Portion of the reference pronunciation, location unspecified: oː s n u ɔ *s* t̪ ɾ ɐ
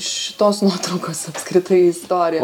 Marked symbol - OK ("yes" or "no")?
no